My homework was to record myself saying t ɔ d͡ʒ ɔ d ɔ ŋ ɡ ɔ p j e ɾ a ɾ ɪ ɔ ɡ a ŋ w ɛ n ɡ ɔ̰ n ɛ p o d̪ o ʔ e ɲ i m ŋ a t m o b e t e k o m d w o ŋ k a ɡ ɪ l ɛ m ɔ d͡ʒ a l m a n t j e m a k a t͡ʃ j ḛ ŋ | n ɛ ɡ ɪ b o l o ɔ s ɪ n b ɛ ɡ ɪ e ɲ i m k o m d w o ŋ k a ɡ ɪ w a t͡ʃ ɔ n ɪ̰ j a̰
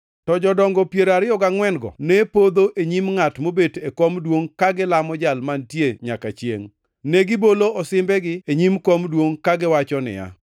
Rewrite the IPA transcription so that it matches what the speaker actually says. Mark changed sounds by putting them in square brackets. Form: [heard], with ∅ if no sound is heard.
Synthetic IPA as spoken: t ɔ d͡ʒ ɔ d ɔ ŋ ɡ ɔ p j e ɾ a ɾ ɪ ɔ ɡ a ŋ w ɛ n ɡ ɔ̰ n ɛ p o d̪ o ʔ e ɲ i m ŋ a t m o b e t e k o m d w o ŋ k a ɡ ɪ l [a] m ɔ d͡ʒ a l m a n t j e [ɲ] a k a t͡ʃ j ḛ ŋ | n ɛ ɡ ɪ b o l o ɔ s ɪ [m] b ɛ ɡ ɪ e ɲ i m k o m d w o ŋ k a ɡ ɪ w a t͡ʃ ɔ n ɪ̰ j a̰